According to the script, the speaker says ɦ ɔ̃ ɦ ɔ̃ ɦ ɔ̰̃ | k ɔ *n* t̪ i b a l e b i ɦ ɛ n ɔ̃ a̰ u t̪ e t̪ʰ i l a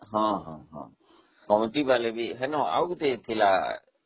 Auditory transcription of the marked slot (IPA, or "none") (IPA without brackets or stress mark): m